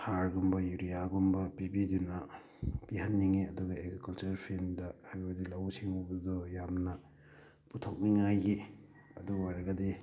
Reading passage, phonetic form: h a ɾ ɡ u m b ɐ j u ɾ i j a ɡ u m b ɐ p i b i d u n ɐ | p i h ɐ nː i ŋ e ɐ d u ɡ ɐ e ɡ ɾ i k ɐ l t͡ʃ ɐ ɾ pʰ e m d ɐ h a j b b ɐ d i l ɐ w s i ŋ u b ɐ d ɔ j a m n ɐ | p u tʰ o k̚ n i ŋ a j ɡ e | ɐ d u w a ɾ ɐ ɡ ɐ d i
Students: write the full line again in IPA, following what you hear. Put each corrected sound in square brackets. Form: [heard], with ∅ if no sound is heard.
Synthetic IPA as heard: h a ɾ ɡ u m b ɐ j u ɾ i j a ɡ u m b ɐ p i b i d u n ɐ | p i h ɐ nː i ŋ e ɐ d u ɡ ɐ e ɡ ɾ i k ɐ l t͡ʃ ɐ ɾ pʰ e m d ɐ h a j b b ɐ d i l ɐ w s i ŋ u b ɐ d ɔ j a m n ɐ | p u tʰ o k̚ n i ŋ a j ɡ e | ɐ d u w a ɾ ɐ ɡ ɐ d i